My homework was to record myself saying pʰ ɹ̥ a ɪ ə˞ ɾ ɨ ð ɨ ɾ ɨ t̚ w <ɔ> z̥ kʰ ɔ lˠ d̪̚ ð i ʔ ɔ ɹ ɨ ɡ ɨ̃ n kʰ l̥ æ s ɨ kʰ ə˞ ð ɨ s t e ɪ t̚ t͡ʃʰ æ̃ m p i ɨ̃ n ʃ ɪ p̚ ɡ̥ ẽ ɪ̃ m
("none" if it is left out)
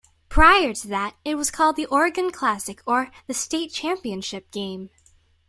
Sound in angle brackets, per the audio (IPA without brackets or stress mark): ʌ